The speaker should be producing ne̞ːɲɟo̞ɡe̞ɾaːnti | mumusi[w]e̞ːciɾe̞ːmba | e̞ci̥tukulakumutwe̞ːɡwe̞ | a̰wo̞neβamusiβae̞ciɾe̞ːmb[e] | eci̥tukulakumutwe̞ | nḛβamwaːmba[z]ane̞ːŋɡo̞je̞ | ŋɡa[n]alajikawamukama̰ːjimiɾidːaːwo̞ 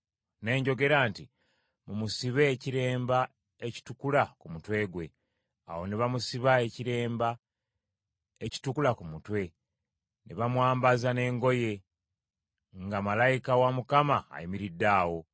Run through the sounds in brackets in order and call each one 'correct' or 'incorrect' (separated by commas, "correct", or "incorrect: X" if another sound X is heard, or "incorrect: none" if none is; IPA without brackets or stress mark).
incorrect: β, incorrect: a, correct, incorrect: m